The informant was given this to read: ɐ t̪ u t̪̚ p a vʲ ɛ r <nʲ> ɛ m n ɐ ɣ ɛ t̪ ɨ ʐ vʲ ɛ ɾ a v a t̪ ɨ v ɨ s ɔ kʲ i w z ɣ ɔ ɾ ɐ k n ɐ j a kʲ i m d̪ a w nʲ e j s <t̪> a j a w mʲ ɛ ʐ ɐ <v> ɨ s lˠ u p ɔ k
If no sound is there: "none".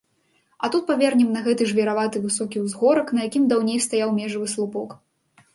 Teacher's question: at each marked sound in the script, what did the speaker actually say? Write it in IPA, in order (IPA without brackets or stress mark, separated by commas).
nʲ, t̪, v